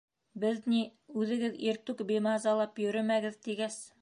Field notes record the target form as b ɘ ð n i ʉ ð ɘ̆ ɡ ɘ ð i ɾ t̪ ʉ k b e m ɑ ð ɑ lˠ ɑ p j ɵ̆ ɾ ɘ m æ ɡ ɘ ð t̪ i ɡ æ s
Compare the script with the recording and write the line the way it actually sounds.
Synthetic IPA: b ɘ ð n i ʉ ð ɘ̆ ɡ ɘ ð i ɾ t̪ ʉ k b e m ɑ z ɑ lˠ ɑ p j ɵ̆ ɾ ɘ m æ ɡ ɘ ð t̪ i ɡ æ s